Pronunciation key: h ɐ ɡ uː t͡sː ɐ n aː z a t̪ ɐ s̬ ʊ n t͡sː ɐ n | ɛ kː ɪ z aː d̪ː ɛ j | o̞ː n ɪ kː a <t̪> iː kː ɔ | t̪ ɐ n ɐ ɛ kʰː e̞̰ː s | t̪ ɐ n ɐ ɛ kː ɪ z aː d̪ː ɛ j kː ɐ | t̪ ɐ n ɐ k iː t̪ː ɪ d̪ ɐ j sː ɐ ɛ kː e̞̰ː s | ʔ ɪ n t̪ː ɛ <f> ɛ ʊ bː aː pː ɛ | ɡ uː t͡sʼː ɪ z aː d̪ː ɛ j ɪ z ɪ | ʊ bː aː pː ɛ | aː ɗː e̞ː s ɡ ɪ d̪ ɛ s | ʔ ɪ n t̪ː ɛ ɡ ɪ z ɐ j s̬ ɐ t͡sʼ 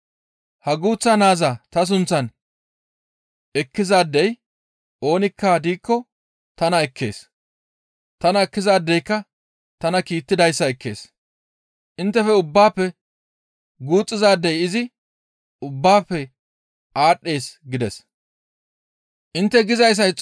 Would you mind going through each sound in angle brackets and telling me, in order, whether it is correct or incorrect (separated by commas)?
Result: incorrect, correct